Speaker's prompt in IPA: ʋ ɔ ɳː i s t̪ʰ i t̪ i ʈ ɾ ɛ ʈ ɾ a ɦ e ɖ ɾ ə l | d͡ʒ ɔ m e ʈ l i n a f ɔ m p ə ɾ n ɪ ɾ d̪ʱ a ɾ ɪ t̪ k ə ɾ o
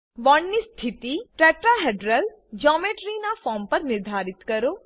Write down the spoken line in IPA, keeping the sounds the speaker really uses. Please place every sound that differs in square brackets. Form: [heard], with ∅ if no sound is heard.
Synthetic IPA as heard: ʋ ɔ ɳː i s t̪ʰ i t̪ i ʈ ɾ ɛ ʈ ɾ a ɦ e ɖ ɾ ə l | d͡ʒ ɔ m e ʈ [ɾ] i n a f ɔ m p ə ɾ n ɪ ɾ d̪ʱ a ɾ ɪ t̪ k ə ɾ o